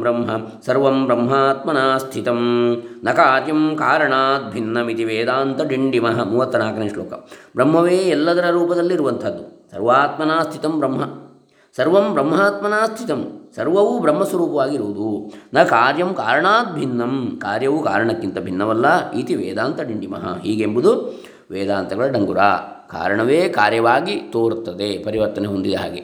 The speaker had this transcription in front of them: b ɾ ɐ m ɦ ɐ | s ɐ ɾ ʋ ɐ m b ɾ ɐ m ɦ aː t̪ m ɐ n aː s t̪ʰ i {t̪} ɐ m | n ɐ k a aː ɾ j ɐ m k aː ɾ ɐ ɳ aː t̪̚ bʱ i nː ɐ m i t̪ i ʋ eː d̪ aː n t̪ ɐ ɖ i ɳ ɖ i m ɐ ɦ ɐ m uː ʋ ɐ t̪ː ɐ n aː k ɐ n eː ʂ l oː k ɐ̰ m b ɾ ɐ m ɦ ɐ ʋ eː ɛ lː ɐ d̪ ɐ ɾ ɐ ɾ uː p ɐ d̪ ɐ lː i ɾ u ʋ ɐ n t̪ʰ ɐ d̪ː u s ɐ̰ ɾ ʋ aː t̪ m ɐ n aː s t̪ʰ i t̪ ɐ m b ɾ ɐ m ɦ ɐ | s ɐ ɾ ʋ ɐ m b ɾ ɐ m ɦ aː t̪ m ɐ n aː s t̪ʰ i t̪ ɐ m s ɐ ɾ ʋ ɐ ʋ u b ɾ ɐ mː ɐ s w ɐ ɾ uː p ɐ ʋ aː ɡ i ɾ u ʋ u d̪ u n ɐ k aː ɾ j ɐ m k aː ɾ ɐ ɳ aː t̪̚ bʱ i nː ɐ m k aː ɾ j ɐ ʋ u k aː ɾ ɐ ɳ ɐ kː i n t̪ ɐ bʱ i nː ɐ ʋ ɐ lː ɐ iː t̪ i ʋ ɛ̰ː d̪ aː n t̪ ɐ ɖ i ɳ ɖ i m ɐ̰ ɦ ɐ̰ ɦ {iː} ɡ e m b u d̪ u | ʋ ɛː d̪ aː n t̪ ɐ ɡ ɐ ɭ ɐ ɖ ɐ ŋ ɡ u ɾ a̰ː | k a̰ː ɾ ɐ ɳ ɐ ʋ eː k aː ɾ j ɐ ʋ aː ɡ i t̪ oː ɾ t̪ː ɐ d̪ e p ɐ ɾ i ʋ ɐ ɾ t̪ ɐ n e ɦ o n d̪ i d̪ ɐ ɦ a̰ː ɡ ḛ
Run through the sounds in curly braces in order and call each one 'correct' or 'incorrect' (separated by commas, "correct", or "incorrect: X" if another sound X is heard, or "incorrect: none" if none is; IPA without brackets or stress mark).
correct, correct